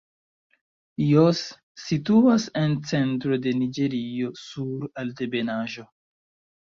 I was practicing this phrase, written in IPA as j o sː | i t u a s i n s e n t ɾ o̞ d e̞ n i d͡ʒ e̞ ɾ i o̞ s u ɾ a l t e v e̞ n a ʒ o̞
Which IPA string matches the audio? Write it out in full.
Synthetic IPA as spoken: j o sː | i t u a s e n t͡s e n t ɾ o̞ d e̞ n i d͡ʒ e̞ ɾ i o̞ s u ɾ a l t e b e̞ n a ʒ o̞